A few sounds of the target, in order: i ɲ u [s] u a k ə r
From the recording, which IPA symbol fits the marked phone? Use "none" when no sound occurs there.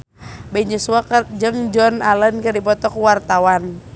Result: s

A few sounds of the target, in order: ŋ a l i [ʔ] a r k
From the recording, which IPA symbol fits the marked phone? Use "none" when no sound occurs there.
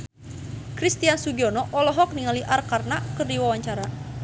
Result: ʔ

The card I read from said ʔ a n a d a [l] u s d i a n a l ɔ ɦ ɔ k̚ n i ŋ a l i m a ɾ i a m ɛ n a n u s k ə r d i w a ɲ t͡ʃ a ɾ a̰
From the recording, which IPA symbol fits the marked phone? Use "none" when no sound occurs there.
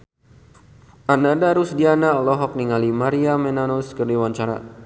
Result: ɾ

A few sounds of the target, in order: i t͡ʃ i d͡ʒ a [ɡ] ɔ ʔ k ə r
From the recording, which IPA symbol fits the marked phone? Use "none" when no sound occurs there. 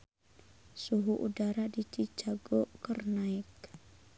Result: ɡ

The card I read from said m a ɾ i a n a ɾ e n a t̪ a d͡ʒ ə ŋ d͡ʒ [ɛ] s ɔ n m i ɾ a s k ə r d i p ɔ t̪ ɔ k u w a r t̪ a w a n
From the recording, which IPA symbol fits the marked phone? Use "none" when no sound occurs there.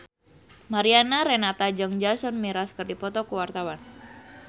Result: a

